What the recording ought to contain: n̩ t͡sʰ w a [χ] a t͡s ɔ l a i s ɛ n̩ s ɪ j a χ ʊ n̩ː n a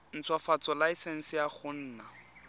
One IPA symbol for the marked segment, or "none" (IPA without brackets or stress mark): f